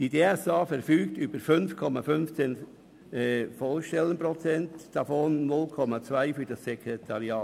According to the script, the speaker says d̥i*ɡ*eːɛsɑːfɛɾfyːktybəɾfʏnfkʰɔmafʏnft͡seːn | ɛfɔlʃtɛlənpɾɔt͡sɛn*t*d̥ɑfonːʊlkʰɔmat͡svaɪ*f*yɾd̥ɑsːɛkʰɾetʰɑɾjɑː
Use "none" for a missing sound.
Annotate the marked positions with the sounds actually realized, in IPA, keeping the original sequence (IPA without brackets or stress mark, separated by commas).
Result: d, t, f